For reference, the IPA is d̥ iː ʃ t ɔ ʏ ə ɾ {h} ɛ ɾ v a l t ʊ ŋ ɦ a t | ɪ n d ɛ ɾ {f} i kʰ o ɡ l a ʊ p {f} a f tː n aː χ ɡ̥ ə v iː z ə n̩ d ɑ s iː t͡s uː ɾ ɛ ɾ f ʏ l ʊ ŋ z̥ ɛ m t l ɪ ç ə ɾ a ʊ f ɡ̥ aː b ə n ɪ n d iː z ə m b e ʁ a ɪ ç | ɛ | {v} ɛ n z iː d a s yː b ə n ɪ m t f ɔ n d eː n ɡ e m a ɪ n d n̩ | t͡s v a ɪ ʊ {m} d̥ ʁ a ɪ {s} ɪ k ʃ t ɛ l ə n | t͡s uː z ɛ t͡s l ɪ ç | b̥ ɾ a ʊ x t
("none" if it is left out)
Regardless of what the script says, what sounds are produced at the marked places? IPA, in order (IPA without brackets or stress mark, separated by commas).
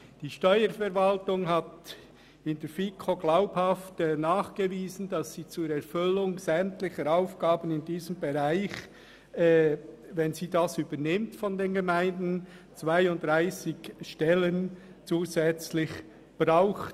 f, f, h, v, n, s